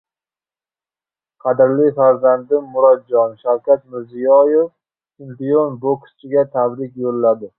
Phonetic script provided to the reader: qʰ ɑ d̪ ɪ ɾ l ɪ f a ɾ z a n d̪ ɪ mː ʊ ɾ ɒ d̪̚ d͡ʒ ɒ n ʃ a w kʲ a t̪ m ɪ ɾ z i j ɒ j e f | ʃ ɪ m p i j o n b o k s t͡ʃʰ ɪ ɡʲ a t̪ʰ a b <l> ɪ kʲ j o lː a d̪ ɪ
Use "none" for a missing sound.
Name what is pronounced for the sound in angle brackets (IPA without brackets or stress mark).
ɾ